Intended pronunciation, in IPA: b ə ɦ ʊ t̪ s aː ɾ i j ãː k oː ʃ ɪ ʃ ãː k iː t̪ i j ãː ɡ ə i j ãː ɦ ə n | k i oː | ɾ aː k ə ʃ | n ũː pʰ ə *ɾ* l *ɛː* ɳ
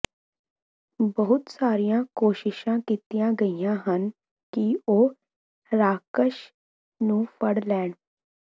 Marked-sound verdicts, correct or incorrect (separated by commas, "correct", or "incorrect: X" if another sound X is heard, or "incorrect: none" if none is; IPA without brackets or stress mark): incorrect: ɽ, correct